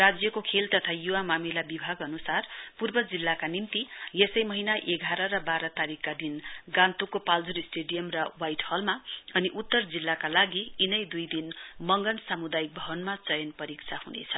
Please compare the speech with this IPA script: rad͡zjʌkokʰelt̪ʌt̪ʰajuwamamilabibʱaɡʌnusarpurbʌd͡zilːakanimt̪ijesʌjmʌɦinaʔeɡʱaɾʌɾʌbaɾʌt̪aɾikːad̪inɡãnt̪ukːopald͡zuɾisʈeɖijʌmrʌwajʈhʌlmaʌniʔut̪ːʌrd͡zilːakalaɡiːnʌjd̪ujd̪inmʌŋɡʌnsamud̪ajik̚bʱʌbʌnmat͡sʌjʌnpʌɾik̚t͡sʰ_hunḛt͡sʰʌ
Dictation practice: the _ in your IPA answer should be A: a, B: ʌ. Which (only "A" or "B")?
A